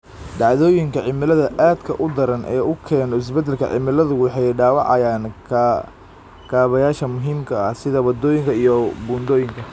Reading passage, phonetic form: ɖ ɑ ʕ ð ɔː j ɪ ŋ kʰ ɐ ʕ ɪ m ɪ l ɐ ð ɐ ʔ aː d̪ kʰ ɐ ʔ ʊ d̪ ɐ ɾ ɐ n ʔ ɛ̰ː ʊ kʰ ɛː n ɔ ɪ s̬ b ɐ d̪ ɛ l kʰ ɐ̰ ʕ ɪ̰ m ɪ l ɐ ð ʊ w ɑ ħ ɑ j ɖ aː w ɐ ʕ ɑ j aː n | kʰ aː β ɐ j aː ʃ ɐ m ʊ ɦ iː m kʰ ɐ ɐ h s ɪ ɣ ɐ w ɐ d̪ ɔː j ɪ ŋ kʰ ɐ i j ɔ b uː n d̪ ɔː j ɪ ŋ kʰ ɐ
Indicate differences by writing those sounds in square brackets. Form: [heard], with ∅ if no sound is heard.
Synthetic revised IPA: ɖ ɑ ʕ ð ɔː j ɪ ŋ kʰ ɐ ʕ ɪ m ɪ l ɐ ð ɐ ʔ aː d̪ kʰ ɐ ʔ ʊ d̪ ɐ ɾ ɐ n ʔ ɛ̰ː ʊ kʰ ɛː n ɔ ɪ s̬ b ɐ d̪ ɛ l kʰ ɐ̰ ʕ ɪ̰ m ɪ l ɐ ð ʊ w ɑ ħ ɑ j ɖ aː w [ɑ] ʕ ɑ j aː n | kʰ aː β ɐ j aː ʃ ɐ m ʊ ɦ iː m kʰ ɐ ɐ h s ɪ [ð] ɐ w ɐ d̪ ɔː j ɪ ŋ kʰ ɐ i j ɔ b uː n d̪ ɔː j ɪ ŋ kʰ ɐ